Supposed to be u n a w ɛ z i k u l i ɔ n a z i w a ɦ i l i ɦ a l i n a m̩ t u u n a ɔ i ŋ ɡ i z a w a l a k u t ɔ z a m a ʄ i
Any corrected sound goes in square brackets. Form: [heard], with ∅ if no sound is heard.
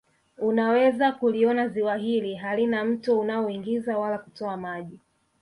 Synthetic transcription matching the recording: u n a w ɛ z [a] k u l i ɔ n a z i w a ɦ i l i ɦ a l i n a m̩ t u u n a ɔ i ŋ ɡ i z a w a l a k u t ɔ [∅] a m a ʄ i